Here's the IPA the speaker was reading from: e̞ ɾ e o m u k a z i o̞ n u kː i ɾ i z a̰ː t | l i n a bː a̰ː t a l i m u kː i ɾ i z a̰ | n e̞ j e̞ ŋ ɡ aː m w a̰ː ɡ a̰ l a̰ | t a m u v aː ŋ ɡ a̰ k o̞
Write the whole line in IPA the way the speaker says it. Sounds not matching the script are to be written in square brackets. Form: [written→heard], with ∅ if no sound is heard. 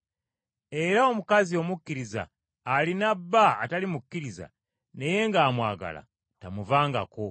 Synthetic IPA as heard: e̞ ɾ [e→a] o m u k a z i o̞ [n→m] u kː i ɾ i z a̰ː [t→∅] | l i n a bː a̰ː t a l i m u kː i ɾ i z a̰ | n e̞ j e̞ ŋ ɡ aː m w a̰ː ɡ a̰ l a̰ | t a m u v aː ŋ ɡ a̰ k o̞